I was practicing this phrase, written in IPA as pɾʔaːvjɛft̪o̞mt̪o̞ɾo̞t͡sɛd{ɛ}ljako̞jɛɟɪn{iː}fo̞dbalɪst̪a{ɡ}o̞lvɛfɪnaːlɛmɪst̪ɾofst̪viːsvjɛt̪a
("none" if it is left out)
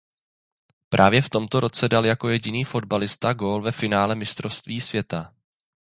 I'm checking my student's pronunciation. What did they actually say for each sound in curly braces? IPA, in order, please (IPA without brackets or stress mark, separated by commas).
a, iː, ɡ